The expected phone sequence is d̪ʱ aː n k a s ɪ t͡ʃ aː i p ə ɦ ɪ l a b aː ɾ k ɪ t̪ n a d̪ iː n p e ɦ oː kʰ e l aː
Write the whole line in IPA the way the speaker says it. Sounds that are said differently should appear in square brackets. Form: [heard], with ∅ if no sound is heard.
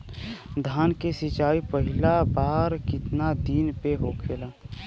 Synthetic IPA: d̪ʱ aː n k [e] s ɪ t͡ʃ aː i p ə ɦ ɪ l a b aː ɾ k ɪ t̪ n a d̪ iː n p e ɦ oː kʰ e l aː